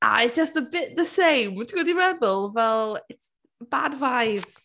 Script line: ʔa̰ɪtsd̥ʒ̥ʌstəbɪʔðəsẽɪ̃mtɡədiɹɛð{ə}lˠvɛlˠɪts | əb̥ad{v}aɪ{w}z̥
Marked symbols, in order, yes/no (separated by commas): yes, yes, no